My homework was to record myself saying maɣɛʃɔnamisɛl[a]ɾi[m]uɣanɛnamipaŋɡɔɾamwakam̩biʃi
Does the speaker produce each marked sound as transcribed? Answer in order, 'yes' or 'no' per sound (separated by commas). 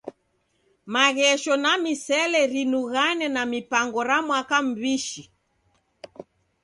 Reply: no, no